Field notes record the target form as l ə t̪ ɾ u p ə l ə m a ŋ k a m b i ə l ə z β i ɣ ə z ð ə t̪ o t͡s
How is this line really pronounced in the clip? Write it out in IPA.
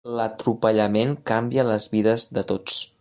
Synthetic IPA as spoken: l ə t̪ ɾ u p ə ʎ ə m e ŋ k a m b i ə l ə z β i ð ə z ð ə t̪ o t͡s